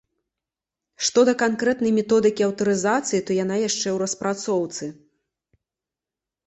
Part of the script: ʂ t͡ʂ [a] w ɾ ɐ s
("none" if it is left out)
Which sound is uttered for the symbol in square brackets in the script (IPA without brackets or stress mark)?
ɛ